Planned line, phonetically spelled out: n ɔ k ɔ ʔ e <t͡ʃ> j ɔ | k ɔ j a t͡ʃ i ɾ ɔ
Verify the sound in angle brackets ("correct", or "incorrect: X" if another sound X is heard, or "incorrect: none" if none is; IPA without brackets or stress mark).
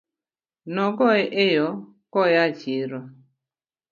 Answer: incorrect: none